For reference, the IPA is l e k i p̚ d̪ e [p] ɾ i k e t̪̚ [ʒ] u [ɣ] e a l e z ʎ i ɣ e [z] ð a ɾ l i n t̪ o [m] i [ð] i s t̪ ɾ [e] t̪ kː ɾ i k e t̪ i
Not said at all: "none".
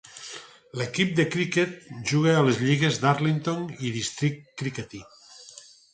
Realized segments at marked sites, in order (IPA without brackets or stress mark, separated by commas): k, ʒ, ɣ, z, n, ð, i